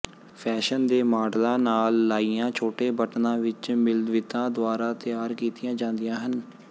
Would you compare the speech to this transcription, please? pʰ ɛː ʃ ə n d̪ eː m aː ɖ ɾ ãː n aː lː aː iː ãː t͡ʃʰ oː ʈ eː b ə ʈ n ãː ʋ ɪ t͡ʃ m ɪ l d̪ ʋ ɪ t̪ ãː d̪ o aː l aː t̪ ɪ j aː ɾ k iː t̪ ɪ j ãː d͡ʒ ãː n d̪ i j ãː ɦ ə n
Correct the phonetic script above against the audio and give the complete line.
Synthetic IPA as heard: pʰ ɛː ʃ ə n d̪ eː m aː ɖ l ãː n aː lː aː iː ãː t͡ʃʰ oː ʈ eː b ə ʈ n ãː ʋ ɪ t͡ʃ m ɪ l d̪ ʋ ɪ t̪ ãː d̪ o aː ɾ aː t̪ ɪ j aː ɾ k iː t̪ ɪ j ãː d͡ʒ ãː n d̪ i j ãː ɦ ə n